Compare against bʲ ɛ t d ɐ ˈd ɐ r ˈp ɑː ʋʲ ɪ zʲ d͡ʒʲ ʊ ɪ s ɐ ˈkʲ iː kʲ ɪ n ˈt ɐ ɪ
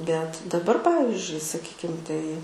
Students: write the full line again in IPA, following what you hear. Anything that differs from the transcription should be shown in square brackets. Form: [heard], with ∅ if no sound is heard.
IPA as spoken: bʲ ɛ t d ɐ [ˈb] ɐ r ˈp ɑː ʋʲ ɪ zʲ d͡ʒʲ ʊ ɪ s ɐ ˈkʲ iː kʲ ɪ [m] ˈt ɐ ɪ